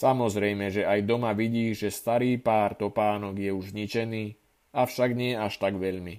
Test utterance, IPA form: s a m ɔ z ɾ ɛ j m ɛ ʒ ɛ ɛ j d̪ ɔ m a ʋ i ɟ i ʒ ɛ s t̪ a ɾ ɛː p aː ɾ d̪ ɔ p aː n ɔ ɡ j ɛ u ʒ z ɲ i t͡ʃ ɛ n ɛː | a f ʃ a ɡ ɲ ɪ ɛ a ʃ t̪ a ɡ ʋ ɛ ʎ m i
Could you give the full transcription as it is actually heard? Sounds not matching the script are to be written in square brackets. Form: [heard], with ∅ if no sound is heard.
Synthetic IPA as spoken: s a m ɔ z ɾ ɛ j m ɛ ʒ ɛ [a] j d̪ ɔ m a ʋ i ɟ [iː] ʒ ɛ s t̪ a ɾ [iː] p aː ɾ [t̪] ɔ p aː n ɔ ɡ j ɛ u ʒ z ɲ i t͡ʃ ɛ n [iː] | a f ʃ a ɡ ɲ ɪ ɛ a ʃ t̪ a ɡ ʋ ɛ ʎ m i